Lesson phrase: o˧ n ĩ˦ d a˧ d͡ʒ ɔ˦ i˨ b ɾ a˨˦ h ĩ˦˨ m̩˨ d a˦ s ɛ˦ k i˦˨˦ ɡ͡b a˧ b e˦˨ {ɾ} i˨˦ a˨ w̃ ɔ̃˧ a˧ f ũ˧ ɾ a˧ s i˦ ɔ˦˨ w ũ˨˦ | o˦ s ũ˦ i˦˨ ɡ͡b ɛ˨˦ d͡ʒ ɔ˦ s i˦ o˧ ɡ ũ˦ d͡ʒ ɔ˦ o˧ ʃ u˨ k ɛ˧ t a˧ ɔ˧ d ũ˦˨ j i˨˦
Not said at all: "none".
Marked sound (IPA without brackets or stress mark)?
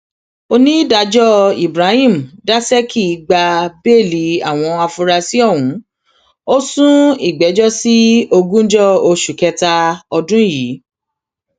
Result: l